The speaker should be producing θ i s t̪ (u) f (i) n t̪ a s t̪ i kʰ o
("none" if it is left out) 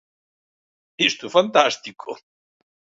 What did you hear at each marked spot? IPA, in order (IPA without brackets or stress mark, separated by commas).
u, a